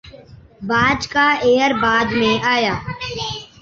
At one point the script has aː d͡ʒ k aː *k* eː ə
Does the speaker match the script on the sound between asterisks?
no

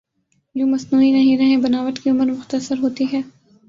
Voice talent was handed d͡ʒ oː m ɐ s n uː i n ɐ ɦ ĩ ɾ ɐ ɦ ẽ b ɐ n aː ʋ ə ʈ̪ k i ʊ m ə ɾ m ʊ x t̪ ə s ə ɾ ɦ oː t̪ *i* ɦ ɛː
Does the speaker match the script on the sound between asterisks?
yes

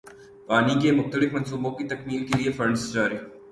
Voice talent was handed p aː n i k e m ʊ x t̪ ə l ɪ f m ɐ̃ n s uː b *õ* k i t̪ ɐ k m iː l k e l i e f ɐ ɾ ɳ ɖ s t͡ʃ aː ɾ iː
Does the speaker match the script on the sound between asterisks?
yes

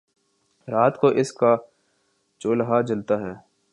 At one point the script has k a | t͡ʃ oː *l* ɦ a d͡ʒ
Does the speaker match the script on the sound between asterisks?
yes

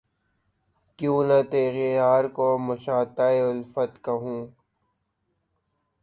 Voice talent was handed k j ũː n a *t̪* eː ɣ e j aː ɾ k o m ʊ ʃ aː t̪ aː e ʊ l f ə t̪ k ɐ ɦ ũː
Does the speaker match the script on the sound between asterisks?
yes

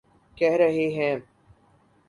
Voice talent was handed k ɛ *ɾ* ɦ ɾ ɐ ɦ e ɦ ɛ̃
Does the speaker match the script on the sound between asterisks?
no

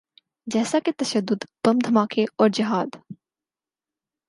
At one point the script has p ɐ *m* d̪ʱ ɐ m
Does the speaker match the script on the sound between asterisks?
yes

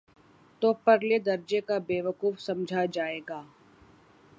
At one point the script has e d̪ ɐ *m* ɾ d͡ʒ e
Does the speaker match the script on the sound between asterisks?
no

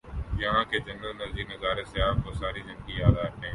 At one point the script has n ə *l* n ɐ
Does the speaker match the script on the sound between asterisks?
yes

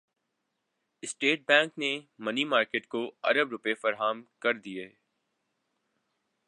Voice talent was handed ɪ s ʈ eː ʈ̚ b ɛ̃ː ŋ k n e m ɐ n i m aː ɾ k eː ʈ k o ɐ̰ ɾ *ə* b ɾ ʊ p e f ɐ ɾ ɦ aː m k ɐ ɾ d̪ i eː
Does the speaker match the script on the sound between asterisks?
yes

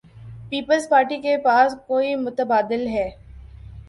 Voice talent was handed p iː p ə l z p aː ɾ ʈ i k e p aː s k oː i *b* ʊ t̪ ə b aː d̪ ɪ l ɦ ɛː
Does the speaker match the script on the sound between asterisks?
no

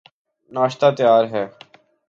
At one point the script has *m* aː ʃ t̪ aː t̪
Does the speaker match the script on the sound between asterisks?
no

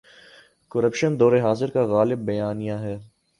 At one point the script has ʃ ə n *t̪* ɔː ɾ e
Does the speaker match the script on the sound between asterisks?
no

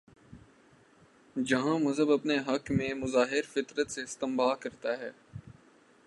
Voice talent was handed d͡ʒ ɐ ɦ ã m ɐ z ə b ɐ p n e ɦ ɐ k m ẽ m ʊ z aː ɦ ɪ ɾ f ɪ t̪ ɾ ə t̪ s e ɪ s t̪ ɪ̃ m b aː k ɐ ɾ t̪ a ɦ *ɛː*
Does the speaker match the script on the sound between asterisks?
yes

